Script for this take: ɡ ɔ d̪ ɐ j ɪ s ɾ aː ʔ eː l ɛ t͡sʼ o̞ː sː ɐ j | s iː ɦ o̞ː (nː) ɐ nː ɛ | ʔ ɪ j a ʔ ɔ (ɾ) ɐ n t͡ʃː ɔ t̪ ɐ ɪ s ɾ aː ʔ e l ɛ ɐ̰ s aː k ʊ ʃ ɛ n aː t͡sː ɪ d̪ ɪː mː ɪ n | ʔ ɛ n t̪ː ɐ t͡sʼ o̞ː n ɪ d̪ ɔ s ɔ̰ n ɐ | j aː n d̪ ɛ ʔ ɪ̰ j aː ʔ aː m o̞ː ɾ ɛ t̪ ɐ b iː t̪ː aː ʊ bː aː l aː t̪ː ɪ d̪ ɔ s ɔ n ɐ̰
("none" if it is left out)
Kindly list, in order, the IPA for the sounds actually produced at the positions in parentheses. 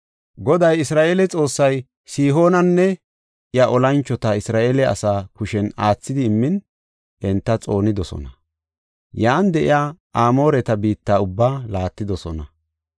n, l

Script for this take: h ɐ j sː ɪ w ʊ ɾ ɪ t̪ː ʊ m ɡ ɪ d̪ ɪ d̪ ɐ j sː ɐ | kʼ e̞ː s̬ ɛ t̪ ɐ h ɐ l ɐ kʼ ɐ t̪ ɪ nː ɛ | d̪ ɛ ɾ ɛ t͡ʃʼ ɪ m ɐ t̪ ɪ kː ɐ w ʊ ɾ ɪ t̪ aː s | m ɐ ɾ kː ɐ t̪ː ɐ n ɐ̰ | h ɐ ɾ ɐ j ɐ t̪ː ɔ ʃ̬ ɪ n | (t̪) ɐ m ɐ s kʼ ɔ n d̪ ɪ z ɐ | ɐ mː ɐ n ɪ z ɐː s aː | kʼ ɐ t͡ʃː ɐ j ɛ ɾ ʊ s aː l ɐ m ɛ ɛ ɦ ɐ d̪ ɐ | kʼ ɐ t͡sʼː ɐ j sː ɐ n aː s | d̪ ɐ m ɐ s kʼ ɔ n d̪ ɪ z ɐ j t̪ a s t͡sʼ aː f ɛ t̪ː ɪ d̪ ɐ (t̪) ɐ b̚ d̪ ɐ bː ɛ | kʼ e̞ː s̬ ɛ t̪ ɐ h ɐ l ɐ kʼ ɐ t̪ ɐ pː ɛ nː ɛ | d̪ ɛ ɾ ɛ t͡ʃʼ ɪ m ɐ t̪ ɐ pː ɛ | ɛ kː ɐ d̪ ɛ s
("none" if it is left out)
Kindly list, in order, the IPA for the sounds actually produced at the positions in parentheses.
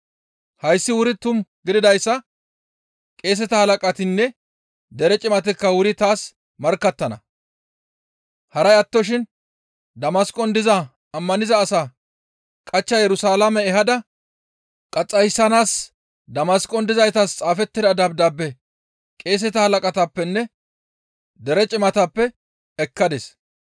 d̪, d̪

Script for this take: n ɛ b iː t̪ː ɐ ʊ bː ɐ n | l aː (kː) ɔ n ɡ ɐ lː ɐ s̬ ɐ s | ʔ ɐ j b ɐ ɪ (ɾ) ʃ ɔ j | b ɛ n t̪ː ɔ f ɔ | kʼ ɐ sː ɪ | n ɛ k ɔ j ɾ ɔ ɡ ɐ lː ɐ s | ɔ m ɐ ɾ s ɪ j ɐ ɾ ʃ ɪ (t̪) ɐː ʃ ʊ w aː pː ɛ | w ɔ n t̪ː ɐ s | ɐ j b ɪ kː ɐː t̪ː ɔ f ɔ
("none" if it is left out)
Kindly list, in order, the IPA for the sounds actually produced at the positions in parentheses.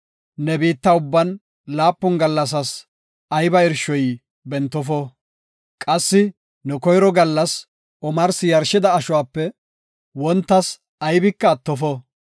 pː, ɾ, d̪

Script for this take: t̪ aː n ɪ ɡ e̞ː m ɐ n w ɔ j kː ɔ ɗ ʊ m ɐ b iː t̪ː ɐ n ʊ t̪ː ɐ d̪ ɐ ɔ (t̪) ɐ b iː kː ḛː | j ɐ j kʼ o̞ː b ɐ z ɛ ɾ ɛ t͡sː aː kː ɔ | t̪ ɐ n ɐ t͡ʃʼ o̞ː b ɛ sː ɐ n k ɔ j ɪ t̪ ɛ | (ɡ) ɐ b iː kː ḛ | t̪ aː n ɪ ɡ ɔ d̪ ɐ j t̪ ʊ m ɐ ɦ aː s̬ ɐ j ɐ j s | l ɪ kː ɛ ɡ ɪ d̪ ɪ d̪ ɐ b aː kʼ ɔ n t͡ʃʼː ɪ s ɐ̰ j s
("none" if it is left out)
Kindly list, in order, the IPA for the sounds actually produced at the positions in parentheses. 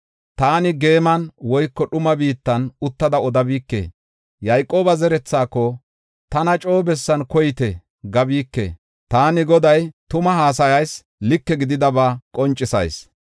d̪, ɡ

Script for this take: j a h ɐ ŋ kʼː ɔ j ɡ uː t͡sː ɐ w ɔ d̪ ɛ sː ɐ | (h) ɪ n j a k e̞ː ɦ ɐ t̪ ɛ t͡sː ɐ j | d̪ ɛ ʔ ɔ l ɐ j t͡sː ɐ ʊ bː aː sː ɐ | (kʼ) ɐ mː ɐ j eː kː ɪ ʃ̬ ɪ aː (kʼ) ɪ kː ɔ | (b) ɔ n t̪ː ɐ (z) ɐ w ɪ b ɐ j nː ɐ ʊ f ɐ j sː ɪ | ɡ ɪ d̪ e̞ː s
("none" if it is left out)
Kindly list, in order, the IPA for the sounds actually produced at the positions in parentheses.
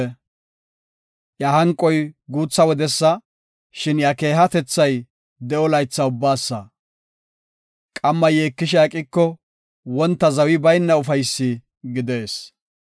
ʃ, kʼ, kʼ, w, z

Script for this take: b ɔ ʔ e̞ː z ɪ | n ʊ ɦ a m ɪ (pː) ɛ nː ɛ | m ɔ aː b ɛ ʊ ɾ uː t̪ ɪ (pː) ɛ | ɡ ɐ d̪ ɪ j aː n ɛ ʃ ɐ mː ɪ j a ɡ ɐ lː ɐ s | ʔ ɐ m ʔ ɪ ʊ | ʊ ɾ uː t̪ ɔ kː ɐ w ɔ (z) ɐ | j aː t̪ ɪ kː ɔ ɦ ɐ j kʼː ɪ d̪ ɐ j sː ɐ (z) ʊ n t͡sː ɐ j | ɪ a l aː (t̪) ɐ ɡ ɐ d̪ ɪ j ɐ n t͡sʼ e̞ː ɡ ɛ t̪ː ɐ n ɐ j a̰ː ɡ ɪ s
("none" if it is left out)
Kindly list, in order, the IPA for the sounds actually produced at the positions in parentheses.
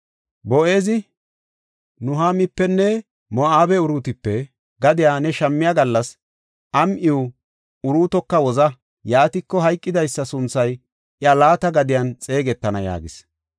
pː, pː, z, s, t̪

